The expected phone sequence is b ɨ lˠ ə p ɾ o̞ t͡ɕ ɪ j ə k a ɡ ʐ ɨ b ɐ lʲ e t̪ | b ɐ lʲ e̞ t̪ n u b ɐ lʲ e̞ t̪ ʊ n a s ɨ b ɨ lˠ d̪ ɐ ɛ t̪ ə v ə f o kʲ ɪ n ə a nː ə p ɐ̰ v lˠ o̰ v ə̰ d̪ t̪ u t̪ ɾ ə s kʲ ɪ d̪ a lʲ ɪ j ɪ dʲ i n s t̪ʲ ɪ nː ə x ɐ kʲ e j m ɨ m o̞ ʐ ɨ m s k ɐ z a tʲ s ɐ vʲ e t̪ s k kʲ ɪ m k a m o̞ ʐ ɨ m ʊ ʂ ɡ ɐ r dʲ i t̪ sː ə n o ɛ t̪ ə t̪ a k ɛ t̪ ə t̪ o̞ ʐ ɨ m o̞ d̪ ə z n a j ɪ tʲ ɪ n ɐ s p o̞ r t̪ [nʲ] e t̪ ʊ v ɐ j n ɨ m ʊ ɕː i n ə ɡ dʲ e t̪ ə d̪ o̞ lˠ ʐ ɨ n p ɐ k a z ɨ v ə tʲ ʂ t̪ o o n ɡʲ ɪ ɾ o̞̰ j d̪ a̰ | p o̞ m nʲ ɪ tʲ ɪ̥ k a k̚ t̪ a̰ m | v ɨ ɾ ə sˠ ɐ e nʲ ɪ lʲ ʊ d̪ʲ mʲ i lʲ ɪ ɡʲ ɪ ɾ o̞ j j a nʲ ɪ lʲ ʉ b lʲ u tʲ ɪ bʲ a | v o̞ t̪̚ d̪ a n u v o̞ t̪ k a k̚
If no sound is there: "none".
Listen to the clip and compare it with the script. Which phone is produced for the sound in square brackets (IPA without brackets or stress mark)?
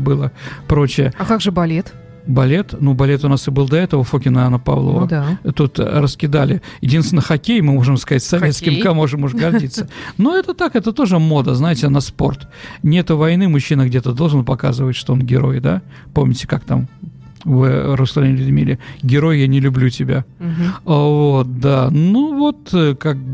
nʲ